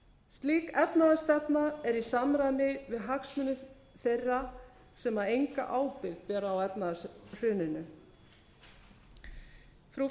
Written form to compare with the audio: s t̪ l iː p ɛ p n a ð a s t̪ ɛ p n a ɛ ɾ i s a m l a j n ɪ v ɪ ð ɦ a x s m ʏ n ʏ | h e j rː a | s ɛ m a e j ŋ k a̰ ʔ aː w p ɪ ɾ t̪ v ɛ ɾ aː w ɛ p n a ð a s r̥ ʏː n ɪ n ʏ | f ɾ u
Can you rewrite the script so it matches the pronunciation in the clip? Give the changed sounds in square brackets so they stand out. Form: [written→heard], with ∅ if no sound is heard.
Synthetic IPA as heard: s t̪ l iː [p→k] ɛ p n a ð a s t̪ ɛ p n a ɛ ɾ i s a m [l→ɾ] a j n ɪ v ɪ ð ɦ a [x→k] s m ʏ n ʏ | [h→θ] e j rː a | s ɛ m a e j ŋ k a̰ ʔ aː w p ɪ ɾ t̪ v ɛ ɾ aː w ɛ p n a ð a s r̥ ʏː n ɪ n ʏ | f ɾ u